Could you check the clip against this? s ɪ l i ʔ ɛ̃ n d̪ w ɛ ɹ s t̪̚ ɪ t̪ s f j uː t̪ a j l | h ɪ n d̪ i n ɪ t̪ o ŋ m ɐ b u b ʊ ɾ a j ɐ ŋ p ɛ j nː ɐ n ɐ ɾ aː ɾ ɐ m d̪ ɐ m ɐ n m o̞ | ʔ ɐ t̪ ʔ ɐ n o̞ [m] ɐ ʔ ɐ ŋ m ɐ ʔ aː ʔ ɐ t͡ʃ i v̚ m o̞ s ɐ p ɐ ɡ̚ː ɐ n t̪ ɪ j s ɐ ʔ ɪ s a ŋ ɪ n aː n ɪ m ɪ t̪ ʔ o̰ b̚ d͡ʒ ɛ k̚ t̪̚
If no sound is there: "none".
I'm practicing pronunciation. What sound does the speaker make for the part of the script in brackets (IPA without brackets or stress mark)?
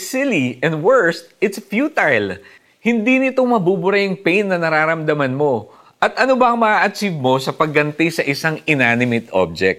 b